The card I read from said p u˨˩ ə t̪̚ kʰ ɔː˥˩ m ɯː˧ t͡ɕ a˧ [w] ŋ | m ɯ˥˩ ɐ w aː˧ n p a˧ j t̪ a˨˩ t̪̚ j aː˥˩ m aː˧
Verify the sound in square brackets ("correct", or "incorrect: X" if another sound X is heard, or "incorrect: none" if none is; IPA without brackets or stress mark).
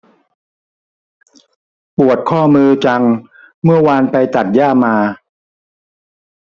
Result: incorrect: none